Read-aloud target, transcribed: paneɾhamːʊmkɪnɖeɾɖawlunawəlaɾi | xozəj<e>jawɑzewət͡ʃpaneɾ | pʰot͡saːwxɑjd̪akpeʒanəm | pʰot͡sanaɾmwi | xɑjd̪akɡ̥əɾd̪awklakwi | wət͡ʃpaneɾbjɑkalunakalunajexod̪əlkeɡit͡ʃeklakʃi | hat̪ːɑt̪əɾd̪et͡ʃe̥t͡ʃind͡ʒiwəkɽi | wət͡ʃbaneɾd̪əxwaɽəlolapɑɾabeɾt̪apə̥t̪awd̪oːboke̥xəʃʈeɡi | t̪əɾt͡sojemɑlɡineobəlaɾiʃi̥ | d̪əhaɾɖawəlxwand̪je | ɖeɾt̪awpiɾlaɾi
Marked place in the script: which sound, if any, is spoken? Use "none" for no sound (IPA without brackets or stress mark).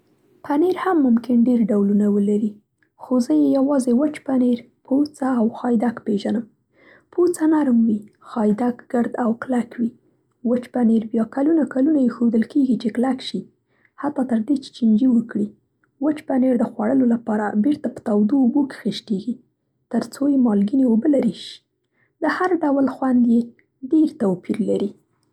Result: e